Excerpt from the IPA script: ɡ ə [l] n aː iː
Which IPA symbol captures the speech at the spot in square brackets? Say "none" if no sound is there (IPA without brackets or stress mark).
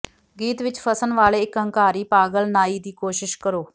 l